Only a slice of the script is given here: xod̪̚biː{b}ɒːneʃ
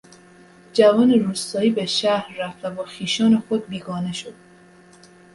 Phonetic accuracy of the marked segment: incorrect: ɡ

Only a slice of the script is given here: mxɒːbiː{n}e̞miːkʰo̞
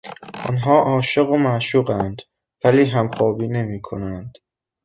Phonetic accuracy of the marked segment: correct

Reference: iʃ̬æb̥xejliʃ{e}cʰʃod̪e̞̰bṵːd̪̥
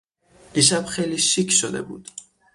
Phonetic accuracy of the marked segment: incorrect: i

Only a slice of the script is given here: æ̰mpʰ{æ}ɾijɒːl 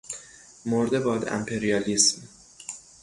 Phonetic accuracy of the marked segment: incorrect: e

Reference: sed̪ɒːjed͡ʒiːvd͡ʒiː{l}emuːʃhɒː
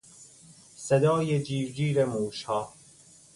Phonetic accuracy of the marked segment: incorrect: ɾ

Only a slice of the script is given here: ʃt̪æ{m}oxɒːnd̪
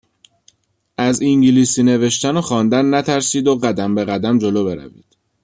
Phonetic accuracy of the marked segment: incorrect: n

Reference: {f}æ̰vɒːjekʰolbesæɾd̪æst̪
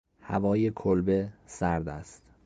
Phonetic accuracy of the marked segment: incorrect: h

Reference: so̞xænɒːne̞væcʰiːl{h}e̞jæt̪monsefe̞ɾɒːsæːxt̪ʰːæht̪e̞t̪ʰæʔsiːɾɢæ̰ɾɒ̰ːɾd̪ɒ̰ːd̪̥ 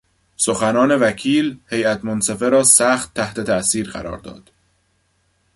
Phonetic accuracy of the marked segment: correct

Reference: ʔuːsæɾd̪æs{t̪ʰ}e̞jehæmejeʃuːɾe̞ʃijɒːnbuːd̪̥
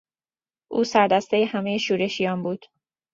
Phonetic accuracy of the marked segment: incorrect: t̪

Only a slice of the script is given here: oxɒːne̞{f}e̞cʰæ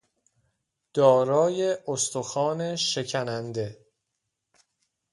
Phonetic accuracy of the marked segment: incorrect: ʃ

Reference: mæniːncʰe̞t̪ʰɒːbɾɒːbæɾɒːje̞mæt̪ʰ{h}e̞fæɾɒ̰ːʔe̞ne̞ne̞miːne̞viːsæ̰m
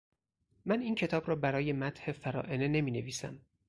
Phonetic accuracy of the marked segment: correct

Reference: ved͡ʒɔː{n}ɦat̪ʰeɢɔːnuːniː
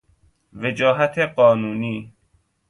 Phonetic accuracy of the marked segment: incorrect: none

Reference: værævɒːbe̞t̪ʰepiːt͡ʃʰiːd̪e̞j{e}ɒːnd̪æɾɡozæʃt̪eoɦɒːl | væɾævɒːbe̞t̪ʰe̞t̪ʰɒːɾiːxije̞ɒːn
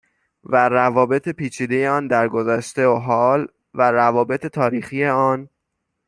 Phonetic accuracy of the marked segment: correct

